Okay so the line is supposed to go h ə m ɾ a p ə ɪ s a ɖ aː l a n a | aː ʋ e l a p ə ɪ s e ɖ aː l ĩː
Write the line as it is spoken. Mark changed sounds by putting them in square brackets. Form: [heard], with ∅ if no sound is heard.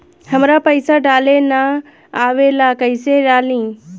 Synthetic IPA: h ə m ɾ a p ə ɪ s a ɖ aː l [e] n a | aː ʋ e l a [k] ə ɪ s e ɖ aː l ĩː